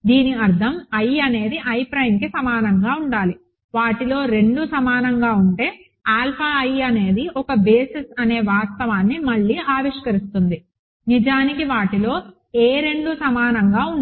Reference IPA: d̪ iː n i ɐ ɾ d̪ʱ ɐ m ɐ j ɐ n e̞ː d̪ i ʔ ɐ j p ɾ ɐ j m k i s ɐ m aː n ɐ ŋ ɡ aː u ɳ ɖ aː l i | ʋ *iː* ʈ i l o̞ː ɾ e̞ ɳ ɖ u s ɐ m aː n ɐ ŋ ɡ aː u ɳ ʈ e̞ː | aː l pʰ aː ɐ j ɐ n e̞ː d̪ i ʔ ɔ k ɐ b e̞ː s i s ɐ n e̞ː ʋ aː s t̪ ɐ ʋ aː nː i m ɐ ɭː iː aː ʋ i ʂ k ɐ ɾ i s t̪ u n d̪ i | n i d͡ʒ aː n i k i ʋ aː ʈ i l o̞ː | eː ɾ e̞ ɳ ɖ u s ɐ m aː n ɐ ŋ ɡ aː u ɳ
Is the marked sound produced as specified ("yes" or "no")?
no